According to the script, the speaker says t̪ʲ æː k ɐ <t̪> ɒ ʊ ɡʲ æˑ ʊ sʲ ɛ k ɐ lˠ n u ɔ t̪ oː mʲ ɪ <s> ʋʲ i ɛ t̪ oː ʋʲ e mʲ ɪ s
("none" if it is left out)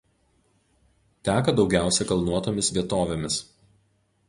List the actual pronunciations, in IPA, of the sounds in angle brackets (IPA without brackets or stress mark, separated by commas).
d̪, s